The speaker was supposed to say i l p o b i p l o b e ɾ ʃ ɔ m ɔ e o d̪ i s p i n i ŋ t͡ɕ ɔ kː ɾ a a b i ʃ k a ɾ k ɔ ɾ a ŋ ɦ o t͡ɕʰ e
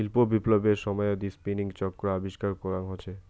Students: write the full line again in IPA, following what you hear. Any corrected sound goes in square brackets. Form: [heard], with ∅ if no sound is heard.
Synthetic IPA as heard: i l p o b i p l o b e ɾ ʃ ɔ m ɔ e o d̪ i s p i n i ŋ t͡ɕ ɔ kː ɾ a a b i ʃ k a ɾ k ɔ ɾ a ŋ ɦ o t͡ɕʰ e